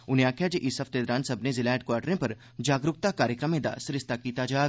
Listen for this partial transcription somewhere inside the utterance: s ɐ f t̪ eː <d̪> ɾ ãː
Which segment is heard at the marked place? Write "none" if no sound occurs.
d̪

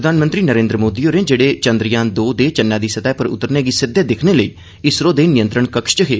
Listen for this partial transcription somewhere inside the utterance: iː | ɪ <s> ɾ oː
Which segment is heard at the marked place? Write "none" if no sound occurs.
s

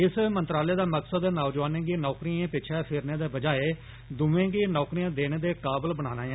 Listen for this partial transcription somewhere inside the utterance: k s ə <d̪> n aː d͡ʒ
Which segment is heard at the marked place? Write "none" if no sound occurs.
d̪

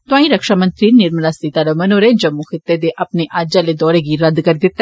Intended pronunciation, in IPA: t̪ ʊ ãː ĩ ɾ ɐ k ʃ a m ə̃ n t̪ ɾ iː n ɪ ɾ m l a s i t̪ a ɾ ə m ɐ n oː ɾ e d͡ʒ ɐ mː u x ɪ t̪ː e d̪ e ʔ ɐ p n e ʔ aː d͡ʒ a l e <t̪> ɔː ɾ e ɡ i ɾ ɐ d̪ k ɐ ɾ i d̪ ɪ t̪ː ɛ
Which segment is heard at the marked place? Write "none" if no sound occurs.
d̪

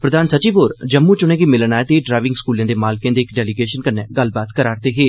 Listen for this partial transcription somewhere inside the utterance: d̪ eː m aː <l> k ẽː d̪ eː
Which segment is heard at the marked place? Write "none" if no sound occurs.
l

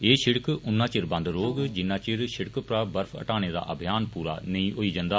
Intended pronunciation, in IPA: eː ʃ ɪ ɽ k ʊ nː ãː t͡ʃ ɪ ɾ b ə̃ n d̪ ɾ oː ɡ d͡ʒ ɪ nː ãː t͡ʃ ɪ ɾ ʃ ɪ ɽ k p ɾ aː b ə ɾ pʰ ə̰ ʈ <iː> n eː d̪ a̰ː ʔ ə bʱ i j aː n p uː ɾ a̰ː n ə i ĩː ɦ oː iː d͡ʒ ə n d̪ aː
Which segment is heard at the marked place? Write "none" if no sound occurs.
aː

